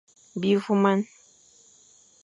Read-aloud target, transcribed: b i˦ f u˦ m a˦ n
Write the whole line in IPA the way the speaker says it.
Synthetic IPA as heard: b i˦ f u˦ m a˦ n